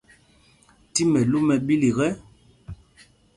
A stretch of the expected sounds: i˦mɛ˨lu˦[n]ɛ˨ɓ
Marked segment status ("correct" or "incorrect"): incorrect